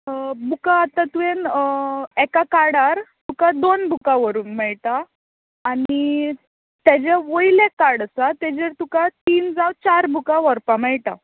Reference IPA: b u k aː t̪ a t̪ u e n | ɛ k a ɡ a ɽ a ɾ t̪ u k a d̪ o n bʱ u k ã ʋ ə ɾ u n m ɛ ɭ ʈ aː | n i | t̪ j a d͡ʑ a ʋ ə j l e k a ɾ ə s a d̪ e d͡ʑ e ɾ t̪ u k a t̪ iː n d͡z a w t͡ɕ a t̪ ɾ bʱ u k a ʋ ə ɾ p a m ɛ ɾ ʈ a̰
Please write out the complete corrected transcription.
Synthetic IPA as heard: b u k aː t̪ a t̪ u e n | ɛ k a k a ɽ a ɾ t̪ u k a d̪ o n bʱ u k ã ʋ ə ɾ uː n m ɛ ɭ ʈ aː | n i | t̪ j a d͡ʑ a ʋ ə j l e k a ɽ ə s a t̪ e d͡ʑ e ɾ t̪ u k a t̪ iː n d͡z a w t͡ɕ a ɾ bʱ u k a ʋ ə ɾ p a m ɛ ɭ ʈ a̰

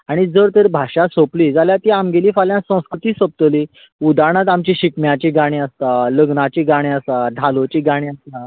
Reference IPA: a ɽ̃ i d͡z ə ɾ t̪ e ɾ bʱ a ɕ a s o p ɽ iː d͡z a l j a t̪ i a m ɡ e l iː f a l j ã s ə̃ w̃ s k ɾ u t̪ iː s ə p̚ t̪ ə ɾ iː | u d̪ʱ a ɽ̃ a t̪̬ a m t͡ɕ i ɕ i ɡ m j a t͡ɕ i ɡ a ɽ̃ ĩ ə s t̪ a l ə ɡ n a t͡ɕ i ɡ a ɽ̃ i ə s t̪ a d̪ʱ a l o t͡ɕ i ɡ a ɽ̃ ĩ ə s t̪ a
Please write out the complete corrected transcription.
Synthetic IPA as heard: a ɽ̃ i d͡z ə ɾ t̪ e ɾ bʱ a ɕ a s o p l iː d͡z a l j a t̪ i a m ɡ e l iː f a l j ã s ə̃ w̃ s k ɾ u t̪ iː s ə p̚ t̪ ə l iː | u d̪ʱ a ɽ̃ a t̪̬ a m t͡ɕ i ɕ i k m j a t͡ɕ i ɡ a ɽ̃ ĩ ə s t̪ a l ə ɡ n a t͡ɕ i ɡ a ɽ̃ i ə s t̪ a d̪ʱ a l o t͡ɕ i ɡ a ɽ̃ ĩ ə s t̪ a

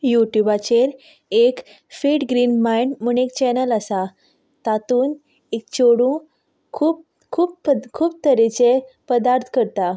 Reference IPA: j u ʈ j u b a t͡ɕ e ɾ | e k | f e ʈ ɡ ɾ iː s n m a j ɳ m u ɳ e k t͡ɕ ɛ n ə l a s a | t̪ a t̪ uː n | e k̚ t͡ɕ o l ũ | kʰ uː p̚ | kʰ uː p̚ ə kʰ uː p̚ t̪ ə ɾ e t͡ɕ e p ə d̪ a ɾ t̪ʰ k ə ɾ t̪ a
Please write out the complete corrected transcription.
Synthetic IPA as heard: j u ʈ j u b a t͡ɕ e ɾ | e k | f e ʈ ɡ ɾ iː n m a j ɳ m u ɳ e k t͡ɕ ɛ n ə l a s a | t̪ a t̪ uː n | e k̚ t͡ɕ o ɽ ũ | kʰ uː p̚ | kʰ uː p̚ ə kʰ uː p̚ t̪ ə ɾ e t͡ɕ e p ə d̪ a ɾ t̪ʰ k ə ɾ t̪ a

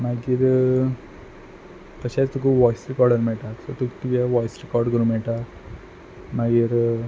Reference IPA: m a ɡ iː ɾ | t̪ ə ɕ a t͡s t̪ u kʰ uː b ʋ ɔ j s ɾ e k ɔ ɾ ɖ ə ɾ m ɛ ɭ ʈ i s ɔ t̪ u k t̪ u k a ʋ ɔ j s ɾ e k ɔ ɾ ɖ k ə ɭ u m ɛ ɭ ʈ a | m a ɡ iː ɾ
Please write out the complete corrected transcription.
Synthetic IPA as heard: m a ɡ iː ɾ | t̪ ə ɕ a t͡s t̪ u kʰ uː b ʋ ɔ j s ɾ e k ɔ ɾ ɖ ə ɾ m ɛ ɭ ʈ a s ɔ t̪ u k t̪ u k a ʋ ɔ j s ɾ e k ɔ ɾ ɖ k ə ɾ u m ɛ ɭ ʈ a | m a ɡ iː ɾ

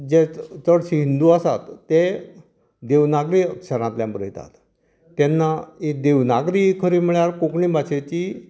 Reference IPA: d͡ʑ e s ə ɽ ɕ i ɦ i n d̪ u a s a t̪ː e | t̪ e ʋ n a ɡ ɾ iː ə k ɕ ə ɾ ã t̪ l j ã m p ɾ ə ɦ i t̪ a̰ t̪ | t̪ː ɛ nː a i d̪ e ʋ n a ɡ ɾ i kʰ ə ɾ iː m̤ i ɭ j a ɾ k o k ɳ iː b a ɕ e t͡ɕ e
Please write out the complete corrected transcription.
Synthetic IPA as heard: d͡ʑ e t͡s ə ɽ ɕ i ɦ i n d̪ u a s a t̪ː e | d̪ e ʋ n a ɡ ɾ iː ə k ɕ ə ɾ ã t̪ l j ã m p ɾ ə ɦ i t̪ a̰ t̪ | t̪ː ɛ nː a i d̪ e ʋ n a ɡ ɾ i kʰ ə ɾ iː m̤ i ɭ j a ɾ k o k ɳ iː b a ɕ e t͡ɕ i

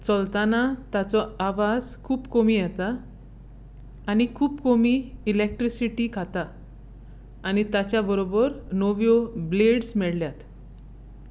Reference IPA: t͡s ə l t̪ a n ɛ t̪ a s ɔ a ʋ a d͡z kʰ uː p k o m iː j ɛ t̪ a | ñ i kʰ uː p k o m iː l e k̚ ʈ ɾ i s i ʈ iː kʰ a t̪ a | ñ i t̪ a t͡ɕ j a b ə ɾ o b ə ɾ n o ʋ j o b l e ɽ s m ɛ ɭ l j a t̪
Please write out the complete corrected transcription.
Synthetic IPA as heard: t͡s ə l t̪ a n a t̪ a t͡s ɔ a ʋ a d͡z kʰ uː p k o m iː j ɛ t̪ a | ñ i kʰ uː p k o m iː l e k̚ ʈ ɾ i s i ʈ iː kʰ a t̪ a | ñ i t̪ a t͡ɕ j a b ə ɾ o b ə ɾ n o ʋ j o b l e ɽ s m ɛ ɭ l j a t̪

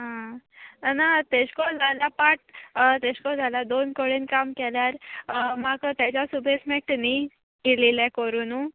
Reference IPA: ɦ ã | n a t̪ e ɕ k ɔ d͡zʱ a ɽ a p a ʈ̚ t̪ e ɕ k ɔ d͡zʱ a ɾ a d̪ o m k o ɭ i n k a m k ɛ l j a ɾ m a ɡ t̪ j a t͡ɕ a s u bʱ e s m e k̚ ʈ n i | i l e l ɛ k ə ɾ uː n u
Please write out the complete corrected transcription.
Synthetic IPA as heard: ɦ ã | n a t̪ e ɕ k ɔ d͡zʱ a l a p a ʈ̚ t̪ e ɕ k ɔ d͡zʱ a l a d̪ o n k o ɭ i n k a m k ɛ l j a ɾ m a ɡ t̪ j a t͡ɕ a s u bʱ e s m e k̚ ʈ n i | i l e l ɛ k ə ɾ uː n u

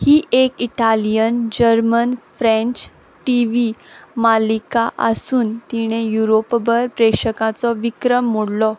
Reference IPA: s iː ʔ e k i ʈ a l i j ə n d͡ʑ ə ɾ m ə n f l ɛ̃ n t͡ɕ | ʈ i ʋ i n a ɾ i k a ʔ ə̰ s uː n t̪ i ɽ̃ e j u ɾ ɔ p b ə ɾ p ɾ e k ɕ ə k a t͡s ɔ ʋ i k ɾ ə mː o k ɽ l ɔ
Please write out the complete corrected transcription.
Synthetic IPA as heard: h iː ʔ e k i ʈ a l i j ə n d͡ʑ ə ɾ m ə n f ɾ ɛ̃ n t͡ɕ | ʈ i ʋ i m a l i k a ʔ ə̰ s uː n t̪ i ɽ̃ e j u ɾ o p b ə ɾ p ɾ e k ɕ ə k a t͡s ɔ ʋ i k ɾ ə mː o ɽ l ɔ

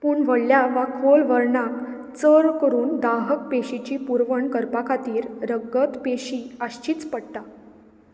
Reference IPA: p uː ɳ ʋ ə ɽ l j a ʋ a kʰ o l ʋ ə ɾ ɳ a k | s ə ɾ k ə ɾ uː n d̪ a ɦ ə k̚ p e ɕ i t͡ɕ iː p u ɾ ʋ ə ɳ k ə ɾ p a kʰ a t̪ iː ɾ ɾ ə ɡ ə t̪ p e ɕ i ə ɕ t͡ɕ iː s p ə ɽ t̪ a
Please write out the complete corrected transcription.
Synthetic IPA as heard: p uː ɳ ʋ ə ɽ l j a ʋ a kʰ o l ʋ ə ɾ ɳ a k | t͡s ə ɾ k ə ɾ uː n d̪ a ɦ ə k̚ p e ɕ i t͡ɕ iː p u ɾ ʋ ə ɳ k ə ɾ p a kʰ a t̪ iː ɾ ɾ ə ɡ ə t̪ p e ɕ i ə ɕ t͡ɕ iː t͡s p ə ɽ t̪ a

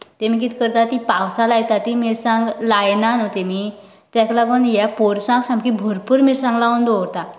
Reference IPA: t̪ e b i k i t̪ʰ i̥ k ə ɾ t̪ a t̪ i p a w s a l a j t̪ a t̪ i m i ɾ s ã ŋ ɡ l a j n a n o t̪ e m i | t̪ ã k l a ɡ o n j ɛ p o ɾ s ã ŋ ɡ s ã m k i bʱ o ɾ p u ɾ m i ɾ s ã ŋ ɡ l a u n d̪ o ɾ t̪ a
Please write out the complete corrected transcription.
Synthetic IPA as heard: t̪ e m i k i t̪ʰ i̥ k ə ɾ t̪ a t̪ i p a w s a l a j t̪ a t̪ i m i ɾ s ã ŋ ɡ l a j n a n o t̪ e m i | t̪ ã k l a ɡ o n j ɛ p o ɾ s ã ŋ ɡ s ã m k i bʱ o ɾ p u ɾ m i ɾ s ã ŋ ɡ l a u n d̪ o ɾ t̪ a

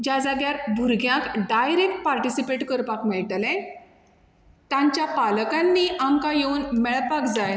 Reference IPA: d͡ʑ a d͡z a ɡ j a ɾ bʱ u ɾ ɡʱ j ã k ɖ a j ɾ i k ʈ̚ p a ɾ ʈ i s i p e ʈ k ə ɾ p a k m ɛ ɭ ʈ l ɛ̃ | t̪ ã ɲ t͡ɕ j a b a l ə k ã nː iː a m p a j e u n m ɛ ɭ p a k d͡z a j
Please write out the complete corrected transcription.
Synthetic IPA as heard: d͡ʑ a d͡z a ɡ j a ɾ bʱ u ɾ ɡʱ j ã k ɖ a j ɾ e k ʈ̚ p a ɾ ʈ i s i p e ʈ k ə ɾ p a k m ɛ ɭ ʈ l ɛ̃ | t̪ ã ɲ t͡ɕ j a p a l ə k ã nː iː a m k a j e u n m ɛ ɭ p a k d͡z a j

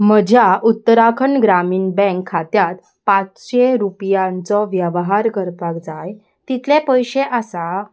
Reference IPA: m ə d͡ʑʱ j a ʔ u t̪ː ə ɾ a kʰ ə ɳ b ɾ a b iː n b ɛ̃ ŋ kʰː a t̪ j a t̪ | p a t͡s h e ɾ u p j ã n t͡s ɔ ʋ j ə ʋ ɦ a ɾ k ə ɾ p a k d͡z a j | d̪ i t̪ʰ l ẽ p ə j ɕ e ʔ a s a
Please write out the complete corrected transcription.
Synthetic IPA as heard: m ə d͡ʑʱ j a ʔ u t̪ː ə ɾ a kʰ ə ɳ ɡ ɾ a m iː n b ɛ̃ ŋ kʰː a t̪ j a t̪ | p a t͡s ɕ e ɾ u p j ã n t͡s ɔ ʋ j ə ʋ ɦ a ɾ k ə ɾ p a k d͡z a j | t̪ i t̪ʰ l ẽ p ə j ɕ e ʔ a s a

